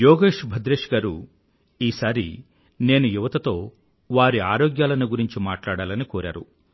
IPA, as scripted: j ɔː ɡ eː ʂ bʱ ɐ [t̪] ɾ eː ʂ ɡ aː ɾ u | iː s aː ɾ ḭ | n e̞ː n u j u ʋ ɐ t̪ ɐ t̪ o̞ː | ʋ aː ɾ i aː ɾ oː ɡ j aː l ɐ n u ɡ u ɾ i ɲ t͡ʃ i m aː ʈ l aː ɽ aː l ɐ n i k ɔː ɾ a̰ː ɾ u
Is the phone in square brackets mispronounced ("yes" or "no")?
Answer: yes